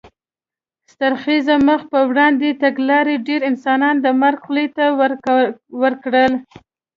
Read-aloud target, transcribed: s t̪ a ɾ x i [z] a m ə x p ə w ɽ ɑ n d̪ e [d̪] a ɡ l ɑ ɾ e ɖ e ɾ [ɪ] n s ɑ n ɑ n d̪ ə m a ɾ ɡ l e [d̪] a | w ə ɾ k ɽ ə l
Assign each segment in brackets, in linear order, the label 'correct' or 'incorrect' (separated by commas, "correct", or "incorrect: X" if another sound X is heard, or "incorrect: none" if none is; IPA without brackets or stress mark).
correct, incorrect: t̪, correct, incorrect: t̪